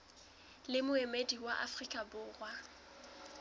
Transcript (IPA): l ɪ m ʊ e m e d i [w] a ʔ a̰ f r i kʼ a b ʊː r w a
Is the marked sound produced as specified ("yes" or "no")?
yes